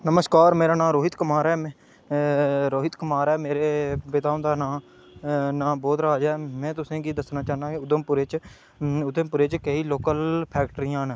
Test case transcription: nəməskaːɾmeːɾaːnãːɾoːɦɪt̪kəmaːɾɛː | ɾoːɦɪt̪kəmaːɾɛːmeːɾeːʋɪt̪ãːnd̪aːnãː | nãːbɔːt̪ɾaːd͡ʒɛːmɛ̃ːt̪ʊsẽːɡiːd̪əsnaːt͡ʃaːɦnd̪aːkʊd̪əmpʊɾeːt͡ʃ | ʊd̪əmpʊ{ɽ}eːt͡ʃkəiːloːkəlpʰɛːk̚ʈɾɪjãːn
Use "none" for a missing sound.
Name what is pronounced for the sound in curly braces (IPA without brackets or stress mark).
ɾ